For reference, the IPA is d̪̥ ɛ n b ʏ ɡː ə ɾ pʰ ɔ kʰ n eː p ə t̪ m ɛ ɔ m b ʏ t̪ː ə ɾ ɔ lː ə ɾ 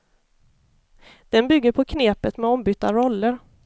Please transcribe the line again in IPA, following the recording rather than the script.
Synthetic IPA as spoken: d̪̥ ɛ n b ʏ ɡː ə ɾ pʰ ɔ kʰ n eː p ə t̪ m ɛ ɔ m b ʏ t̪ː a ɾ ɔ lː ə ɾ